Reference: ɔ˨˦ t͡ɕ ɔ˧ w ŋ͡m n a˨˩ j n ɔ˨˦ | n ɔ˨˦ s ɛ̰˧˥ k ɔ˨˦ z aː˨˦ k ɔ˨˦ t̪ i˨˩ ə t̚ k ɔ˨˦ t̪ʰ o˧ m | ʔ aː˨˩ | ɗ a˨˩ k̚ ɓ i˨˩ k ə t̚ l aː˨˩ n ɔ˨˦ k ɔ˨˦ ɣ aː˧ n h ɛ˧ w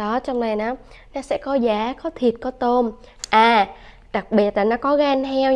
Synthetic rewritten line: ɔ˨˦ t͡ɕ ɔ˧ w ŋ͡m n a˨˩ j n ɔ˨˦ | n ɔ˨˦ s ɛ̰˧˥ k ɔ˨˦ z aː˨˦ k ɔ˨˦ t̪ʰ i˨˩ ə t̚ k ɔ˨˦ t̪ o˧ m | ʔ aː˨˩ | ɗ a˨˩ k̚ ɓ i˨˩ ə t̚ l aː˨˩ n ɔ˨˦ k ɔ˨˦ ɣ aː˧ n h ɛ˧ w